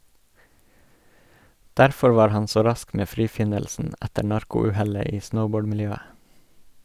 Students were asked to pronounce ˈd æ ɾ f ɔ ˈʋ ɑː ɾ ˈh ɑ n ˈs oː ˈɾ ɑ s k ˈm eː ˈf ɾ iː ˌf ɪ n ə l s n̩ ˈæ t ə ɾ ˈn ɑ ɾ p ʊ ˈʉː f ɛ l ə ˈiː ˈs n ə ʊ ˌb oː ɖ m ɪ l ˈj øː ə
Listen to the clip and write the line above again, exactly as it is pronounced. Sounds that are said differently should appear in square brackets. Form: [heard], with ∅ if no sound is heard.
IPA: ˈd æ ɾ f ɔ ˈʋ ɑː ɾ ˈh ɑ n ˈs oː ˈɾ ɑ s k ˈm eː ˈf ɾ iː ˌf ɪ n ə l s n̩ ˈæ t ə ɾ ˈn ɑ ɾ [k] ʊ ˈʉː [h] ɛ l ə ˈiː ˈs n ə ʊ ˌb oː ɖ m ɪ l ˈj øː ə